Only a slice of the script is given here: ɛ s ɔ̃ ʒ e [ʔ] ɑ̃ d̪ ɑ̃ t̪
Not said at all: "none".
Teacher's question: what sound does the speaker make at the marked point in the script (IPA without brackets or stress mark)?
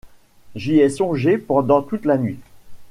p